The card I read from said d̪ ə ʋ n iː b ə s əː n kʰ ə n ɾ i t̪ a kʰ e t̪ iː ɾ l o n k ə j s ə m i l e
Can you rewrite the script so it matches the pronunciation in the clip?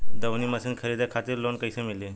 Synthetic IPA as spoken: d̪ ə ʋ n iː m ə s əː n kʰ ə ɾ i d̪ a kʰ a t̪ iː ɾ l o n k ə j s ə m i l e